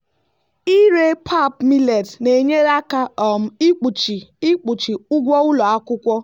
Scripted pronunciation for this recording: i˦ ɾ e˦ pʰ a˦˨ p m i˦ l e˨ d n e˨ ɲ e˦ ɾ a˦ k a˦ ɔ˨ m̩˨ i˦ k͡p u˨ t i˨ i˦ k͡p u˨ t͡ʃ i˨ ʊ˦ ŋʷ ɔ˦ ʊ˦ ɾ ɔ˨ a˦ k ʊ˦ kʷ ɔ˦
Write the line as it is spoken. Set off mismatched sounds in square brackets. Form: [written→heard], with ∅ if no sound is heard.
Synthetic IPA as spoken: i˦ ɾ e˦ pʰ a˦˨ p m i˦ l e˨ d n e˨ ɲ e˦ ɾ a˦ k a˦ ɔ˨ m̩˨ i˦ k͡p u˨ [t→t͡ʃ] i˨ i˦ k͡p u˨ t͡ʃ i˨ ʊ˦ [ŋʷ→ɡʷ] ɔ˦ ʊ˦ [ɾ→l] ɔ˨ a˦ k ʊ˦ kʷ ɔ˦